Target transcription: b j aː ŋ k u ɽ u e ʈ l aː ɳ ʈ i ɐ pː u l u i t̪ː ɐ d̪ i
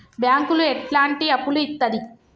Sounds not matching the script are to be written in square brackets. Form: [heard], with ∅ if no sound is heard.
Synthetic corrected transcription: b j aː ŋ k u [l] u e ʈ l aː ɳ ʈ i ɐ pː u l u i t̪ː ɐ d̪ i